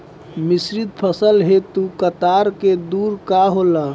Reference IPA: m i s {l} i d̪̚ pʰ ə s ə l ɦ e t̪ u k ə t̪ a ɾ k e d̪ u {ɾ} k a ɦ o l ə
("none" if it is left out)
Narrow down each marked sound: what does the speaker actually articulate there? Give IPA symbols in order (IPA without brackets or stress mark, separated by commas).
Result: ɾ, ɾ